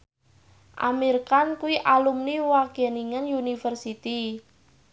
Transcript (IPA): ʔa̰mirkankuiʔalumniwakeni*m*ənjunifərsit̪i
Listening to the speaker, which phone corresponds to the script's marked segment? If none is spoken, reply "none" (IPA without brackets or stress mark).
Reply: ŋ